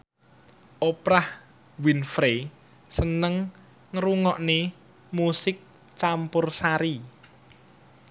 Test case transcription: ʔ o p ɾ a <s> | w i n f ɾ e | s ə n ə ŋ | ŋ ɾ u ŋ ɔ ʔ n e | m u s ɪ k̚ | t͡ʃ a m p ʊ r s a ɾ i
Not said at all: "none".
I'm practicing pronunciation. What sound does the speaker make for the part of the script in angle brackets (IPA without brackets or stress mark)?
h